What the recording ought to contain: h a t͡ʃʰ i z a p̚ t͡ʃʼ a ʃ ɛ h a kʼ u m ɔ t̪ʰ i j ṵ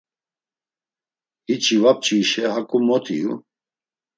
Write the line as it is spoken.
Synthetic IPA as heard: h i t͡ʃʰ i v a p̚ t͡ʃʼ i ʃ ɛ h a kʼ u m ɔ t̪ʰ i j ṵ